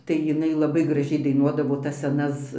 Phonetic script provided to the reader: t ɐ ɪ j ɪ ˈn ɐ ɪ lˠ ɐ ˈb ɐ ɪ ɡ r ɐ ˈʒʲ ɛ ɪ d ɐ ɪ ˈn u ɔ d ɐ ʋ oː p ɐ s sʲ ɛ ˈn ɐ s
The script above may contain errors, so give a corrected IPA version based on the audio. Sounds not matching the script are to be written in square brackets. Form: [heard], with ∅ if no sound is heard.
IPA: t ɐ ɪ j ɪ ˈn ɐ ɪ lˠ ɐ ˈb ɐ ɪ ɡ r ɐ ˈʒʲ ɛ ɪ d ɐ ɪ ˈn u ɔ d ɐ ʋ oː [t] ɐ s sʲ ɛ ˈn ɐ s